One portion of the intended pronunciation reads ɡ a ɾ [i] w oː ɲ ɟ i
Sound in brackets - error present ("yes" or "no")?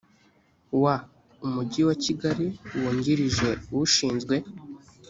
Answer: no